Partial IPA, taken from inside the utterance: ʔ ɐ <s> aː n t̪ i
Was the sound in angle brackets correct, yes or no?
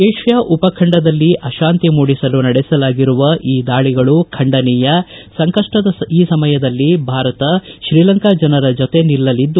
no